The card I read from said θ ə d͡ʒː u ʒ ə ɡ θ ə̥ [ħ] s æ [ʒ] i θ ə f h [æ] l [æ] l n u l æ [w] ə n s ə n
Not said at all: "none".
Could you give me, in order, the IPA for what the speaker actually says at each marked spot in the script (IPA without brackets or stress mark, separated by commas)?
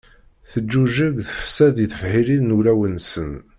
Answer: f, ð, i, i, w